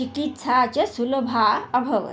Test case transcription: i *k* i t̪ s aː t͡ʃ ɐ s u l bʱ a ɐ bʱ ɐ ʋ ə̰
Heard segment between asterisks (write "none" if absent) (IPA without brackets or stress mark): k